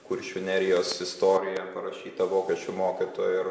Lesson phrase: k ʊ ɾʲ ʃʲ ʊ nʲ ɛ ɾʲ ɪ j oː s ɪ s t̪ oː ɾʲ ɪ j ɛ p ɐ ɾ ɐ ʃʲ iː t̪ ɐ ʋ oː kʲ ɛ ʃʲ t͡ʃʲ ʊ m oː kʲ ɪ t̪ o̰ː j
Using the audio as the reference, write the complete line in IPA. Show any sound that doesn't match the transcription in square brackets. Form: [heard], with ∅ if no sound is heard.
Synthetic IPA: k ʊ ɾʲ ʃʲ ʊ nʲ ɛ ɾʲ ɪ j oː s ɪ s t̪ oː ɾʲ ɪ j ɛ p ɐ ɾ ɐ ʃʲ iː t̪ ɐ ʋ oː kʲ ɛ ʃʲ t͡ʃʲ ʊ m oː kʲ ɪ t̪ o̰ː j